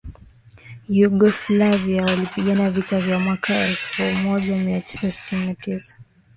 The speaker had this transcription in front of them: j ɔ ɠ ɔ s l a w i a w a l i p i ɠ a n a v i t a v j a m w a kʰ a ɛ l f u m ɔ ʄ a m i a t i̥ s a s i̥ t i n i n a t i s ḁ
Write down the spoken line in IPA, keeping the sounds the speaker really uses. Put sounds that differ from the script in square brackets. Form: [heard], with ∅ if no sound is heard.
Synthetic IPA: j [u] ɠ ɔ s l a [v] i a w a l i p i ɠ a n a v i t a v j a m w a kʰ a ɛ l f u m ɔ ʄ a m i a t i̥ s a s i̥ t i n i n a t i s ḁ